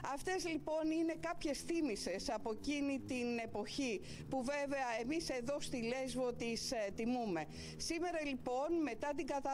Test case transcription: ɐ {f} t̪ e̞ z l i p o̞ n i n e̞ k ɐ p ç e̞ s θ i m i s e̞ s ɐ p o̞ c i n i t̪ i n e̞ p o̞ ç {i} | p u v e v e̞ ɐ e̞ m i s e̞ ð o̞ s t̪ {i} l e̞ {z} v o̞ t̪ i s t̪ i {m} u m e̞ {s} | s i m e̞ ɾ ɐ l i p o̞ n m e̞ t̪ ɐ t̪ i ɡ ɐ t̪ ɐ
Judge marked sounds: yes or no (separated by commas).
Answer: yes, yes, yes, yes, yes, no